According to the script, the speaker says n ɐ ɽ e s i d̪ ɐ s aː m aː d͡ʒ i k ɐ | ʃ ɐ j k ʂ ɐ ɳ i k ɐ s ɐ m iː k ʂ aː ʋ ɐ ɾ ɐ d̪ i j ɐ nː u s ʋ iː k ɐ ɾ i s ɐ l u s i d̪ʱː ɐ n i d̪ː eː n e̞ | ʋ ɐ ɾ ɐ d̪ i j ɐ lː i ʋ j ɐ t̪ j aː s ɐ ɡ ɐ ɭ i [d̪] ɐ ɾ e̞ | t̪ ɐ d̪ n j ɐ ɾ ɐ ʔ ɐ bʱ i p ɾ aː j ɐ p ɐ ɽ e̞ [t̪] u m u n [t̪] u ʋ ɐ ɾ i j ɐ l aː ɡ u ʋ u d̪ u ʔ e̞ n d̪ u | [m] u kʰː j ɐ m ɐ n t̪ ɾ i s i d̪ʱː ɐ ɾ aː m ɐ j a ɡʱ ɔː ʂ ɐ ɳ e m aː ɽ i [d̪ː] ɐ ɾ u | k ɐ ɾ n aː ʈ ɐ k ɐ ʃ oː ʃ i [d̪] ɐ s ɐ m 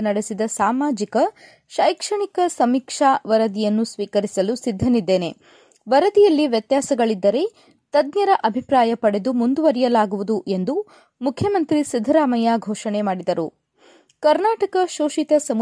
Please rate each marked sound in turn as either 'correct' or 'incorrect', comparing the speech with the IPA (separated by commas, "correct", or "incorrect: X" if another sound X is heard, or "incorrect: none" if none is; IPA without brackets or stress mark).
incorrect: d̪ː, incorrect: d̪, incorrect: d̪, correct, incorrect: d̪, incorrect: t̪